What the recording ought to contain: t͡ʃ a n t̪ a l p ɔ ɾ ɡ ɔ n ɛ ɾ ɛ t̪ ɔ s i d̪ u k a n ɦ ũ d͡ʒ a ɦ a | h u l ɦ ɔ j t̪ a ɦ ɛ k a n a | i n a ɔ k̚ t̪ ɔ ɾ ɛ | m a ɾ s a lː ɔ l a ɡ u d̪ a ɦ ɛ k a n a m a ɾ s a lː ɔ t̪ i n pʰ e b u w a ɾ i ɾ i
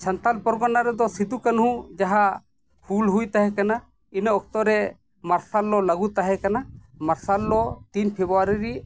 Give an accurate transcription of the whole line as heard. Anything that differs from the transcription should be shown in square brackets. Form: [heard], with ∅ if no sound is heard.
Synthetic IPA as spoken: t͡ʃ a n t̪ a l p ɔ ɾ ɡ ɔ n [a] ɾ ɛ [d̪] ɔ s i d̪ u k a n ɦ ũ d͡ʒ a ɦ a | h u l ɦ [u] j t̪ a ɦ ɛ k a n a | i n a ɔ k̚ t̪ ɔ ɾ ɛ | m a ɾ s a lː ɔ l a ɡ u [t̪] a ɦ ɛ k a n a m a ɾ s a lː ɔ t̪ i n pʰ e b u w a ɾ i ɾ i

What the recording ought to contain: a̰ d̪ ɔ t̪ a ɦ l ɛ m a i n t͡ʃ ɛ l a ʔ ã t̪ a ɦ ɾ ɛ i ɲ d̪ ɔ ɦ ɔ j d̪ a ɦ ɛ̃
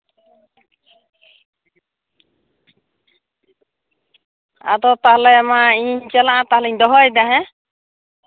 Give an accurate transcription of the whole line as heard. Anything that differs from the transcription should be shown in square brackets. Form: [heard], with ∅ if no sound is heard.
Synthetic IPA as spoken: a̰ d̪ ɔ t̪ a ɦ l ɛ m a i [ɲ] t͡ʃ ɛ l a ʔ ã t̪ a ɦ [l] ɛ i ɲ d̪ ɔ ɦ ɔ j d̪ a ɦ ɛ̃

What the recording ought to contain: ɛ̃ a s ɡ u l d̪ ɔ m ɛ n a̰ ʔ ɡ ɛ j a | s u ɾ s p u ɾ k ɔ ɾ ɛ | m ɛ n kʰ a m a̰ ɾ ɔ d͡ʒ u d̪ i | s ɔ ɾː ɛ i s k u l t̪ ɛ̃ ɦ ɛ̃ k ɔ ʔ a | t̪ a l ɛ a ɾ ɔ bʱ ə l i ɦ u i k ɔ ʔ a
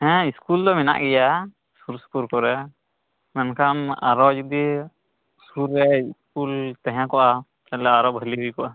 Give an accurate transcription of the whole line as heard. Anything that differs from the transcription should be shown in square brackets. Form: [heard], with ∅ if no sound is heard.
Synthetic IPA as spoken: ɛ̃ [i] s [k] u l d̪ ɔ m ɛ n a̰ ʔ ɡ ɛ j a | s u ɾ s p u ɾ k ɔ ɾ ɛ | m ɛ n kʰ a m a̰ ɾ ɔ d͡ʒ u d̪ i | s [u] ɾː ɛ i s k u l t̪ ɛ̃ ɦ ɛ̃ k ɔ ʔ a | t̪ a l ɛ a ɾ ɔ bʱ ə l i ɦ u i k ɔ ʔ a

